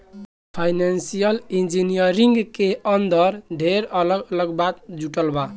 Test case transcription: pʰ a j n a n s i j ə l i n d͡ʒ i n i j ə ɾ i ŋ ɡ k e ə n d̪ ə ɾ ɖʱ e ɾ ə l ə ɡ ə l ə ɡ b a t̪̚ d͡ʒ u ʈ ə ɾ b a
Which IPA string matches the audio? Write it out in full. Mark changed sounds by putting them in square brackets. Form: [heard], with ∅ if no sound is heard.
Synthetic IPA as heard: pʰ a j n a n s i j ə l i n d͡ʒ i n i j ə ɾ i ŋ ɡ k e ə n d̪ ə ɾ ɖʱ e ɾ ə l ə ɡ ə l ə ɡ b a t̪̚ d͡ʒ u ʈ ə [l] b a